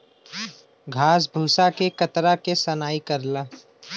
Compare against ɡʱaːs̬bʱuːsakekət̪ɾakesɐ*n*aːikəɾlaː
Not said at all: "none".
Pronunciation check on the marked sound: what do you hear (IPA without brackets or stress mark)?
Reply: n